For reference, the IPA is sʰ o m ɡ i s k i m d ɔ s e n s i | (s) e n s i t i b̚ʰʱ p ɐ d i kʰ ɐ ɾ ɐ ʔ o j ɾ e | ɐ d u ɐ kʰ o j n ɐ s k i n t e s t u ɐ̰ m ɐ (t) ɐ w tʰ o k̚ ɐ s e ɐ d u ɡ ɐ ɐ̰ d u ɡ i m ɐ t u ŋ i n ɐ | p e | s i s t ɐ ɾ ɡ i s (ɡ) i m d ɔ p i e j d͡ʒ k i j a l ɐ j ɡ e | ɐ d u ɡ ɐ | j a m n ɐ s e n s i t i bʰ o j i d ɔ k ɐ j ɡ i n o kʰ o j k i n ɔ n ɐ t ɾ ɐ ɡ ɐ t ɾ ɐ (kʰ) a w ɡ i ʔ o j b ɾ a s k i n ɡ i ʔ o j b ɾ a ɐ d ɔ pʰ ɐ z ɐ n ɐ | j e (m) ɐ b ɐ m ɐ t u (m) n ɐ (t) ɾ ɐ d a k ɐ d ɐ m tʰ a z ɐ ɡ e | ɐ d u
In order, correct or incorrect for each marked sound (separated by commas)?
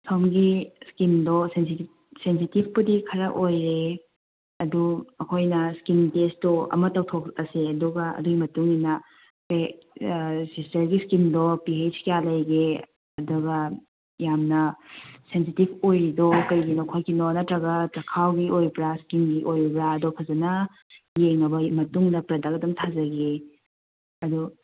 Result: correct, correct, incorrect, correct, incorrect, incorrect, incorrect